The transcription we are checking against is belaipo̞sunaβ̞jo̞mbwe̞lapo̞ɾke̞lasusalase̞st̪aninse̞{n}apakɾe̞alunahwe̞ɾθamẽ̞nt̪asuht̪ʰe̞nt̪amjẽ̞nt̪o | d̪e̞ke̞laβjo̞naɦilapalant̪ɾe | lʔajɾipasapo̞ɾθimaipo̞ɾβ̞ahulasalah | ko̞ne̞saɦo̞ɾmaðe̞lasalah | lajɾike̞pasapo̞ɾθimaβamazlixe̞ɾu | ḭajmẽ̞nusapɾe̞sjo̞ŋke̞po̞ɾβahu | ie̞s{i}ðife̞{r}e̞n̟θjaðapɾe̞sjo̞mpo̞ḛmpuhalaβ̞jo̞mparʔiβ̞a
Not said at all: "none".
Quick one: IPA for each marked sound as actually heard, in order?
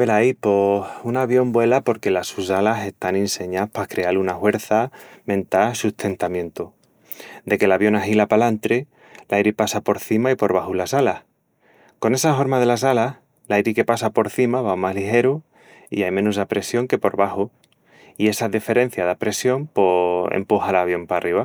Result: ɲ, a, ɾ

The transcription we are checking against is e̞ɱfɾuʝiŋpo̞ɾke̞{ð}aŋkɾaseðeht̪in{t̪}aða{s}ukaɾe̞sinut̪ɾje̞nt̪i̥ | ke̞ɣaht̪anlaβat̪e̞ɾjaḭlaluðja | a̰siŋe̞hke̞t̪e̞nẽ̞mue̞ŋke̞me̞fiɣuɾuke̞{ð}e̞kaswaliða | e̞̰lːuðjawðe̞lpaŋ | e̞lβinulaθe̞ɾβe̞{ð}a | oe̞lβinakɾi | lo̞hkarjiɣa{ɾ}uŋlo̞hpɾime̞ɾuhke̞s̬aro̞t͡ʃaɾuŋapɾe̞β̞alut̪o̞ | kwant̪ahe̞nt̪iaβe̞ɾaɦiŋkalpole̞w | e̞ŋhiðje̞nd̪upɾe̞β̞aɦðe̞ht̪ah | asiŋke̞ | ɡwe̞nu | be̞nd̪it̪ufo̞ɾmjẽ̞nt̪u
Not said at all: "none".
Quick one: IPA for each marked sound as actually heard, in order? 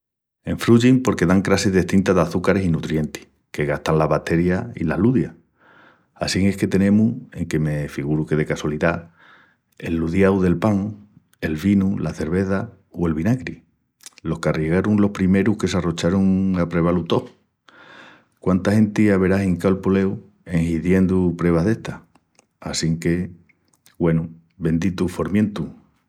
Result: ð, t̪, θ, ð, θ, ɾ

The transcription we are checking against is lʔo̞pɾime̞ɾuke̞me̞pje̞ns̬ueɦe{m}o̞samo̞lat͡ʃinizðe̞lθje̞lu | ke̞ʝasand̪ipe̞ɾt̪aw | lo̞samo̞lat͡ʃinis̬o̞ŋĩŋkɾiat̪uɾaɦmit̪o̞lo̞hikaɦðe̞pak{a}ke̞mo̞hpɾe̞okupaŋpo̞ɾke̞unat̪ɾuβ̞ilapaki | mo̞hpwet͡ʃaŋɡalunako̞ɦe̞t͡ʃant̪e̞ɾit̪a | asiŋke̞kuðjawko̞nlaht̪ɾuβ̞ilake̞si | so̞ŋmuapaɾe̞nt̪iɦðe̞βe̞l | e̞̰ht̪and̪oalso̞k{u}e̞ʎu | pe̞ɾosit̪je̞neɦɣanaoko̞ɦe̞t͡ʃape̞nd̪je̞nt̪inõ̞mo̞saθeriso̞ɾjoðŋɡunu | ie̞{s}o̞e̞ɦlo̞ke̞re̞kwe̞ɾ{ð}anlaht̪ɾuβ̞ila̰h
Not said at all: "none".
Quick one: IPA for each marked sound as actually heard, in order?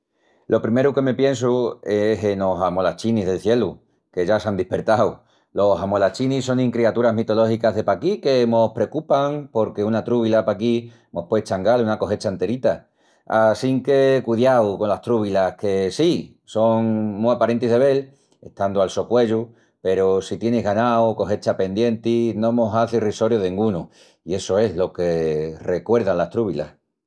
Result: n, i, w, s, ð

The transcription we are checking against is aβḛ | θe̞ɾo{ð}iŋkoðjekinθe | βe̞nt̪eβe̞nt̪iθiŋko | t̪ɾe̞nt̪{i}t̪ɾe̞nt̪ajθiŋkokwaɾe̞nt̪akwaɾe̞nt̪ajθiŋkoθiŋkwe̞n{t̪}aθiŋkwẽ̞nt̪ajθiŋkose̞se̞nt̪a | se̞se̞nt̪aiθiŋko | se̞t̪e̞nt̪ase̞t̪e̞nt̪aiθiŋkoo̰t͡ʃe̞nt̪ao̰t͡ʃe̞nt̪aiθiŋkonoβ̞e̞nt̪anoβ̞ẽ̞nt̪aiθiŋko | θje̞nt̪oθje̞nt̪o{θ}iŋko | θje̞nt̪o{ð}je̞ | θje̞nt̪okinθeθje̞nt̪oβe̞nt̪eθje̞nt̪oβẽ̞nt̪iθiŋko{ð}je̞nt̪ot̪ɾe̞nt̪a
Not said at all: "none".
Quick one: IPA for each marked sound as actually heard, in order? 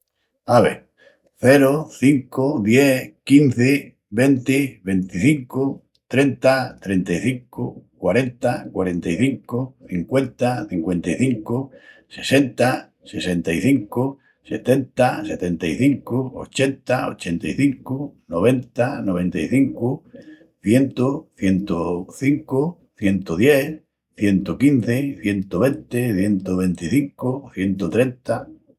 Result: θ, a, t̪, θ, ð, θ

